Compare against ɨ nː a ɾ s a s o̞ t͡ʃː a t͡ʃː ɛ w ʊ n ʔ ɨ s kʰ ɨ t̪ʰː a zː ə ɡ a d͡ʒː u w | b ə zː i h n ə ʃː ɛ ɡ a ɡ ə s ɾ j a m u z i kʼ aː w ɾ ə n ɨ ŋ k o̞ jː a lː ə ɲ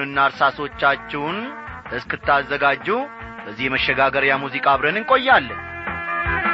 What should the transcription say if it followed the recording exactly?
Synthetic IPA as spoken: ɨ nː a ɾ s a s o̞ t͡ʃː a t͡ʃː ɛ w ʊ n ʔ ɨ s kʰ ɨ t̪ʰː a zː ə ɡ a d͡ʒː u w | b ə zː i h m ə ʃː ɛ ɡ a ɡ ə ɾ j a m u z i kʼ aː β ɾ ə n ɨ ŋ kʼ o̞ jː a lː ə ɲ